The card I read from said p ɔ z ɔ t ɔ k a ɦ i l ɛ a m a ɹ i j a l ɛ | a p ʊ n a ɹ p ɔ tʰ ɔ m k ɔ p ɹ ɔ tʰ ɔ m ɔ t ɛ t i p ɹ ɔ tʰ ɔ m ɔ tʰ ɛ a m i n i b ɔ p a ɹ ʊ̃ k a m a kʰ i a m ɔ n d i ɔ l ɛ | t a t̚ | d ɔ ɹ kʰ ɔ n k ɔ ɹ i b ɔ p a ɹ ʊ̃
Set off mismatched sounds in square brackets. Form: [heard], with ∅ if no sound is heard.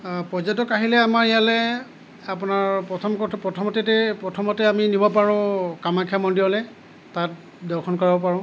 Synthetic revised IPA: p ɔ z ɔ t ɔ k a ɦ i l ɛ a m a ɹ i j a l ɛ | a p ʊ n a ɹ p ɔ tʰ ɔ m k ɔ p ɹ ɔ tʰ ɔ m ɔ t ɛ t [ɛ] p ɹ ɔ tʰ ɔ m ɔ [t] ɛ a m i n i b ɔ p a ɹ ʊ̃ k a m a kʰ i a m ɔ n d i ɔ l ɛ | t a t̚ | d ɔ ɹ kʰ ɔ n k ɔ ɹ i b ɔ p a ɹ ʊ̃